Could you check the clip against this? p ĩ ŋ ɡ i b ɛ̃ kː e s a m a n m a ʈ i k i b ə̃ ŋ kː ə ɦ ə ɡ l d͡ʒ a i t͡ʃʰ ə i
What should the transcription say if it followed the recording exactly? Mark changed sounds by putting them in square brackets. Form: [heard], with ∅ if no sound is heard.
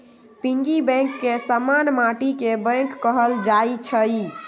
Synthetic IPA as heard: p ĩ ŋ ɡ i b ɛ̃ kː e s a m a n m a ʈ i k [e] b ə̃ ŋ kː ə ɦ ə [∅] l d͡ʒ a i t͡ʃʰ ə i